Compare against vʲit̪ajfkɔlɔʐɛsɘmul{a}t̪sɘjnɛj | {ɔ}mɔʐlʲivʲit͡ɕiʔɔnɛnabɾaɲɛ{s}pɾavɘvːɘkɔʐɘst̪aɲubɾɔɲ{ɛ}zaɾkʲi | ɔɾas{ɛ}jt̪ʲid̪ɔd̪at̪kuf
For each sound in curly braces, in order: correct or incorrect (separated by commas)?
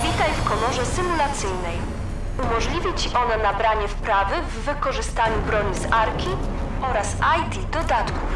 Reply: correct, incorrect, incorrect, incorrect, incorrect